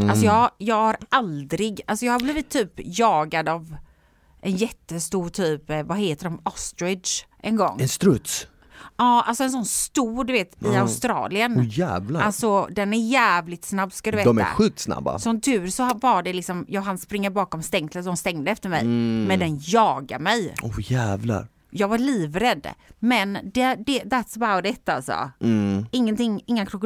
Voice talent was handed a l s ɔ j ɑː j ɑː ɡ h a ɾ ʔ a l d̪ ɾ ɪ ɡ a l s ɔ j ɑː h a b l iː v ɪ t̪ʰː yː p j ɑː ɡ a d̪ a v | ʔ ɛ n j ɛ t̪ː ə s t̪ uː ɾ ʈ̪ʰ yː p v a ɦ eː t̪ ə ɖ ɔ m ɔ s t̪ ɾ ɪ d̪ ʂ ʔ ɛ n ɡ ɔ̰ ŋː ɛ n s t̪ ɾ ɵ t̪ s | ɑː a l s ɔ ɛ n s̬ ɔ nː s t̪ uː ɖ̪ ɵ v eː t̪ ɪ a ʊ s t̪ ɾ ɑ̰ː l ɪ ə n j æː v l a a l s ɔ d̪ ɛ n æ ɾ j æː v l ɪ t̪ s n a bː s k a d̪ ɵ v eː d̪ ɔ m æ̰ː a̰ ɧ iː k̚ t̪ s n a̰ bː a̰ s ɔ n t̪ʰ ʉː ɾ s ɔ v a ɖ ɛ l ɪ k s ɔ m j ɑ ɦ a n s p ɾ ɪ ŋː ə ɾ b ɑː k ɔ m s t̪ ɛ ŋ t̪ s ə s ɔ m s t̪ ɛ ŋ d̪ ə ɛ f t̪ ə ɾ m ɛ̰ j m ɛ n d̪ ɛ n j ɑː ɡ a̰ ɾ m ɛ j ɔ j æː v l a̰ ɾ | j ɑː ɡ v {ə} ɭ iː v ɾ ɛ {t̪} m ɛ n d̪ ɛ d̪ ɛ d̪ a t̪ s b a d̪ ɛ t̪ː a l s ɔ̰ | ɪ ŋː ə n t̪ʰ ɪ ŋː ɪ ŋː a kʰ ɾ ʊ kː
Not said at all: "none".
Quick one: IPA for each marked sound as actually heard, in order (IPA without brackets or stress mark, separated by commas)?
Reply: a, d̪